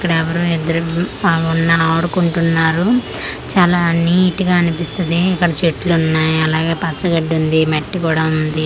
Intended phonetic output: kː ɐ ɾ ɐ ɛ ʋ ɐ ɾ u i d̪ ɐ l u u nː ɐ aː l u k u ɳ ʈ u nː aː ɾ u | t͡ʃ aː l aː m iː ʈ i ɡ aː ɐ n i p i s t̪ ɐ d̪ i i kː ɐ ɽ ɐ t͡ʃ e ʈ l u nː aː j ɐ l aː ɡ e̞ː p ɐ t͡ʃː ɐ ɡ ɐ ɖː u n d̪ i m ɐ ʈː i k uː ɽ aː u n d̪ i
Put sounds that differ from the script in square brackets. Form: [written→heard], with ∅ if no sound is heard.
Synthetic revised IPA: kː ɐ [ɾ→ɽ] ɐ ɛ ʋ ɐ ɾ u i d̪ ɐ [l→ɾ] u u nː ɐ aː [l→ɽ] u k u ɳ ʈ u nː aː ɾ u | t͡ʃ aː l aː [m→n] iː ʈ i ɡ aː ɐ n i p i s t̪ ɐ d̪ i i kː ɐ ɽ ɐ t͡ʃ e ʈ l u nː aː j ɐ l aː ɡ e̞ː p ɐ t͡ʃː ɐ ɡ ɐ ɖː u n d̪ i m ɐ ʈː i k uː ɽ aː u n d̪ i